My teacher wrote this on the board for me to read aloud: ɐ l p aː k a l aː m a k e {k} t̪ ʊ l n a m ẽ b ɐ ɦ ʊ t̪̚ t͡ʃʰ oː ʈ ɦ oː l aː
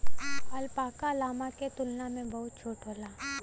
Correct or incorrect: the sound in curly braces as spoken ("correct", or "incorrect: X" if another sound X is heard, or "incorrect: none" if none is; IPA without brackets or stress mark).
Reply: incorrect: none